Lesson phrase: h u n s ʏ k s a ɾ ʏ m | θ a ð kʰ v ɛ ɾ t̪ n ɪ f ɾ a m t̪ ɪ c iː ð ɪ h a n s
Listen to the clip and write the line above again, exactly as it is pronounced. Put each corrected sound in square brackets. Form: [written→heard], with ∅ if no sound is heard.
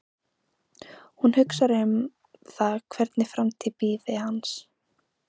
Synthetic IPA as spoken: h u n [s→h] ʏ k s a ɾ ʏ m | θ a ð kʰ v ɛ ɾ t̪ n ɪ f ɾ a m [t̪→t̪ʰ] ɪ [c→p] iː ð ɪ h a n s